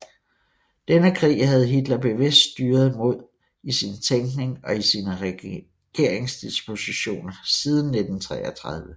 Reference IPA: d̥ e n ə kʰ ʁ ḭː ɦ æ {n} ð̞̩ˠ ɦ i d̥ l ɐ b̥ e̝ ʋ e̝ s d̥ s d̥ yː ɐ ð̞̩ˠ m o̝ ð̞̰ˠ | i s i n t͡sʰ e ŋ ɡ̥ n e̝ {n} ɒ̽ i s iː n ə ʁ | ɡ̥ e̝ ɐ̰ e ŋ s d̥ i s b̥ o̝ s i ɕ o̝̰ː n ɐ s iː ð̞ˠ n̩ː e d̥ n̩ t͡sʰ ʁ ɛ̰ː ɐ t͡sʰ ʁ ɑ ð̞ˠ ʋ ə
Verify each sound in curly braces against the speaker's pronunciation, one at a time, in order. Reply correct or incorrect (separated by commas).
incorrect, incorrect